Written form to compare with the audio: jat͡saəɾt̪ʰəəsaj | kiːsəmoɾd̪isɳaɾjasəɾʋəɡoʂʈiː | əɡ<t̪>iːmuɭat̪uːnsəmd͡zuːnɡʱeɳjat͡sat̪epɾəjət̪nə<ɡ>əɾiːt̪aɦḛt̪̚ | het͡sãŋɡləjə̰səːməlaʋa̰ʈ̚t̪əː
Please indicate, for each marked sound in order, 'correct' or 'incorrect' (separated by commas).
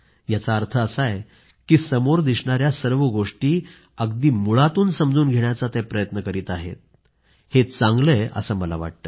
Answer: incorrect, incorrect